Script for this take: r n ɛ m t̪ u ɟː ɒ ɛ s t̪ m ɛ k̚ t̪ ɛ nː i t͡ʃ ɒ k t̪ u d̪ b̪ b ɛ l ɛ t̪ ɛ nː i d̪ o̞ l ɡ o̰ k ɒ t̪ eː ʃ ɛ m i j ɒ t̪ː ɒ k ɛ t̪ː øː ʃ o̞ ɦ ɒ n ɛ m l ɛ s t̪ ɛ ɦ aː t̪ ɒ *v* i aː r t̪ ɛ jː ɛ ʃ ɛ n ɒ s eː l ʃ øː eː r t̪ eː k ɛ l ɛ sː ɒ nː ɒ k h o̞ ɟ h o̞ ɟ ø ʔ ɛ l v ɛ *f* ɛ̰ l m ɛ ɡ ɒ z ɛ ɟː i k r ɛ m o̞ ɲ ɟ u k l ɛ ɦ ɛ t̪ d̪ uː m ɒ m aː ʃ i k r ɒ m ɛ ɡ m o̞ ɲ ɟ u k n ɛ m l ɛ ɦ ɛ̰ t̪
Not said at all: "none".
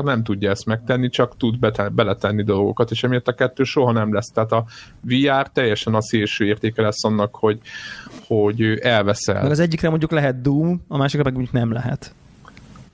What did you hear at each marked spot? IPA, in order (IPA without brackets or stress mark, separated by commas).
v, s